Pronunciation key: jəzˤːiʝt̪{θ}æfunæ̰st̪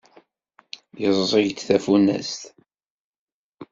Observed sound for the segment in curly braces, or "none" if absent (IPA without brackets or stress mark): θ